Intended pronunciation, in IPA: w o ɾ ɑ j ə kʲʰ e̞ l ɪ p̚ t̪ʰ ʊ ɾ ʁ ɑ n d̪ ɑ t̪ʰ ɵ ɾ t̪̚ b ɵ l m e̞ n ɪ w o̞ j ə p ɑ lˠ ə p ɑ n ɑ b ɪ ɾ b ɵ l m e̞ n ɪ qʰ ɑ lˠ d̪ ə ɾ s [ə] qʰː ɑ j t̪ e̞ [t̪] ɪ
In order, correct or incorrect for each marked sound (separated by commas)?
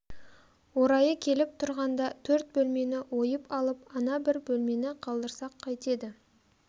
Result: incorrect, incorrect